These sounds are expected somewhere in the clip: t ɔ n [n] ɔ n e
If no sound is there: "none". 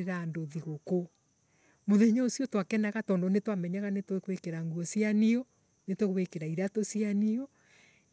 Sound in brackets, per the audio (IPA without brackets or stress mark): d